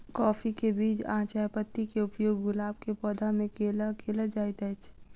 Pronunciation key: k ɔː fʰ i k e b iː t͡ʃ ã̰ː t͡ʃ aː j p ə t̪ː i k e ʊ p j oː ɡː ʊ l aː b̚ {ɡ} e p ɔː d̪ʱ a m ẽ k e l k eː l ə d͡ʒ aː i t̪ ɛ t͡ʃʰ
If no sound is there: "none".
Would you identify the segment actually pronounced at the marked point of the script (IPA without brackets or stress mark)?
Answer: k